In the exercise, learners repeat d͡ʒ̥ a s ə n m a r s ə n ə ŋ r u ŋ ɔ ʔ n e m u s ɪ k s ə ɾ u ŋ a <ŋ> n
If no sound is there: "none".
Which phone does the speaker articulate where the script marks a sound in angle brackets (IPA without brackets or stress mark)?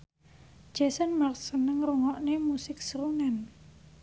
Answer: none